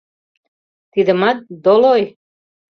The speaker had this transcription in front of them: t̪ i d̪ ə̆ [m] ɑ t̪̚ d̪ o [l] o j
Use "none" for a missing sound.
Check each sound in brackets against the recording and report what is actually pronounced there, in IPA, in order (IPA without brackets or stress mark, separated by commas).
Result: m, l